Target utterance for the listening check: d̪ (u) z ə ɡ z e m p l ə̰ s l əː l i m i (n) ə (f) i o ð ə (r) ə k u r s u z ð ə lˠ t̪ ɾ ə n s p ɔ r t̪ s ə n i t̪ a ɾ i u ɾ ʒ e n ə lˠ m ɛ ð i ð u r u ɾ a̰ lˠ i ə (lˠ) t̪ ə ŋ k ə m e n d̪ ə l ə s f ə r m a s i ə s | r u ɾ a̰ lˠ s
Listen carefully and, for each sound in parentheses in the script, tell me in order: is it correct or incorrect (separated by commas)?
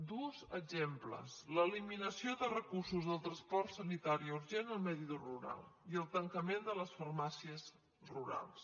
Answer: correct, correct, incorrect, correct, correct